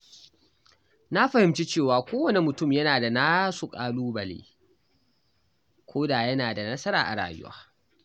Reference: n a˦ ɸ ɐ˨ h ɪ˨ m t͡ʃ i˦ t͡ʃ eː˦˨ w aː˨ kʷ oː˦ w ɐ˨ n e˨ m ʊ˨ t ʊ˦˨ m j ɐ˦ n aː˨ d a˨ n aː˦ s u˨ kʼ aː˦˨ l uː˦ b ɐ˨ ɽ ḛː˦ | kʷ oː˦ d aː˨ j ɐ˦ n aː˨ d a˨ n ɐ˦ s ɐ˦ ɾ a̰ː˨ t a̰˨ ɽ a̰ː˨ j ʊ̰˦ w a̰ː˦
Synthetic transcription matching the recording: n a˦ ɸ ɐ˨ h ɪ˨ m t͡ʃ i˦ t͡ʃ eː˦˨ w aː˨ kʷ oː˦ w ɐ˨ n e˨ m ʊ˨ t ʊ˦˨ m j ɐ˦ n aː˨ d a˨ n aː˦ s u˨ kʼ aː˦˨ l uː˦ b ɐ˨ l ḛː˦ | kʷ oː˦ d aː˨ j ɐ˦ n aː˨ d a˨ n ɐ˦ s ɐ˦ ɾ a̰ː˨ ʔ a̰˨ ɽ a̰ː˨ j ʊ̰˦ w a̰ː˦